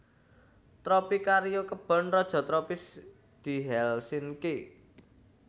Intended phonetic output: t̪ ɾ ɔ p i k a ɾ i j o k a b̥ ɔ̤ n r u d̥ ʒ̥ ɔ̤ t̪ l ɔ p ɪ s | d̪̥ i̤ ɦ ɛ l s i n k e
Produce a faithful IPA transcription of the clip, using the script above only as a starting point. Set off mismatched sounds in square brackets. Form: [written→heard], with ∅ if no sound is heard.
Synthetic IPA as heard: t̪ ɾ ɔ p i k a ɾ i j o k [a→ə] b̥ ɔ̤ n r [u→ɔ] d̥ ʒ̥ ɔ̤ t̪ [l→ɾ] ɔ p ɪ s | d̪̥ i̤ ɦ ɛ l s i n k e